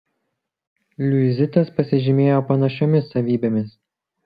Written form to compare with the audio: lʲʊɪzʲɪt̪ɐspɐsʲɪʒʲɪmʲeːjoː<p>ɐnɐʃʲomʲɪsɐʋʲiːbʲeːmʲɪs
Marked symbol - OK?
yes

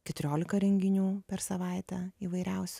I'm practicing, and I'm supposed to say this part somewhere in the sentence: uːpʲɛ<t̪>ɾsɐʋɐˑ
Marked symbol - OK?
no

